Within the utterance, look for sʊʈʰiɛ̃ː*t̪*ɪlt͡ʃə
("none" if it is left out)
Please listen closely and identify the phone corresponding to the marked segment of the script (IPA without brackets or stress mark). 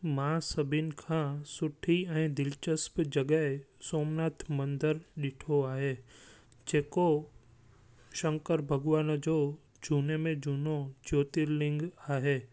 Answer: d̪